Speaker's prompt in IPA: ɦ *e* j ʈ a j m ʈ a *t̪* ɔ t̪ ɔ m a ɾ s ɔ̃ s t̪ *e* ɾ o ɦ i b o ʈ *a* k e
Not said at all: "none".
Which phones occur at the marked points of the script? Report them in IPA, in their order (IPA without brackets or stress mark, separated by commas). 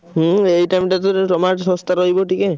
e, t̪, a, i